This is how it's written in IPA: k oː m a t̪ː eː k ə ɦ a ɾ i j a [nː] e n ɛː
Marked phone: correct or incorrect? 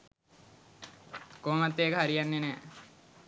correct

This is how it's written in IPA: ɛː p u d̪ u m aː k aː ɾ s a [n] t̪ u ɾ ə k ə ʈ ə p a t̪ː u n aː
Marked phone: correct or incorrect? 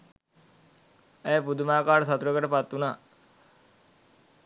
incorrect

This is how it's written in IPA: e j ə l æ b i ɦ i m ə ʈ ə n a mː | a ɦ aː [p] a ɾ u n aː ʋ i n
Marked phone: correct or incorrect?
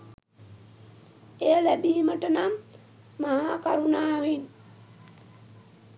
incorrect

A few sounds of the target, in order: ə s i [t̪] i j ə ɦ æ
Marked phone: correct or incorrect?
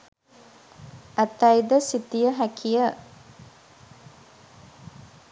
correct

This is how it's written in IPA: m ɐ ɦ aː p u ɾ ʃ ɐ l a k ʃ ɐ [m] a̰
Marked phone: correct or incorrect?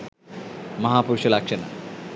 incorrect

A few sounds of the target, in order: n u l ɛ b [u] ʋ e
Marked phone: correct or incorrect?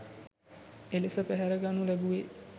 correct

